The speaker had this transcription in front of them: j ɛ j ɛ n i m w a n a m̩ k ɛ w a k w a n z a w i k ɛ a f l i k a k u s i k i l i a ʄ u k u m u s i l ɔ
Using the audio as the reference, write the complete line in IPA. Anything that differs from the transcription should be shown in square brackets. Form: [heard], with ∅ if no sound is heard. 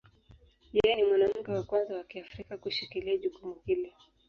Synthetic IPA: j ɛ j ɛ n i m w a n a m̩ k ɛ w a k w a n z a w [a] k [i] a f [ɾ] i k a k u [ʃ] i k i l i a ʄ u k u m u [h] i l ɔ